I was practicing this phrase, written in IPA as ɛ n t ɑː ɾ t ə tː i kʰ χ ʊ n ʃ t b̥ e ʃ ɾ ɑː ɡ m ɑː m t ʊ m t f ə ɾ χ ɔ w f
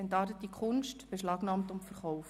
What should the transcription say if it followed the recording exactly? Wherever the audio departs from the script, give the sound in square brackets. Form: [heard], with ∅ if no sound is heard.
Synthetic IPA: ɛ n t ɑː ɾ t ə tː i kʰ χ ʊ n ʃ t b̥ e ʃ [l] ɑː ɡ [n] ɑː m t ʊ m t f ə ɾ χ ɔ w f